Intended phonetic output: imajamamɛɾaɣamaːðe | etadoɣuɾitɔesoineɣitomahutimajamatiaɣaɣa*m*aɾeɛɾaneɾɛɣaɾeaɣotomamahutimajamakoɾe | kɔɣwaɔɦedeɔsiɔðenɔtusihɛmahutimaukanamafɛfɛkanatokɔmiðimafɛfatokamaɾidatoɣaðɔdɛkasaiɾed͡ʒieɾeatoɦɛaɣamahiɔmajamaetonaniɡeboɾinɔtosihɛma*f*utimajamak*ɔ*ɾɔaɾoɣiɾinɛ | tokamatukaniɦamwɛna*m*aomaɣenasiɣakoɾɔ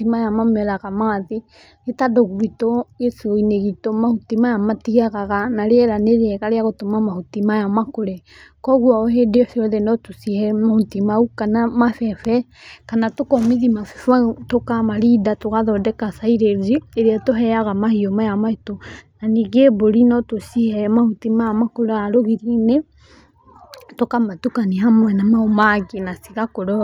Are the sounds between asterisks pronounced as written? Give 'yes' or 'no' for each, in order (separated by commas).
no, no, no, yes